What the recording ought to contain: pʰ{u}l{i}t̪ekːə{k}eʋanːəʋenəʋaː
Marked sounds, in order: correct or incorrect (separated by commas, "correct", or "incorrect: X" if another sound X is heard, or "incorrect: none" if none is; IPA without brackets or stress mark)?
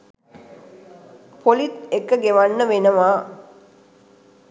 incorrect: o, correct, incorrect: ɡ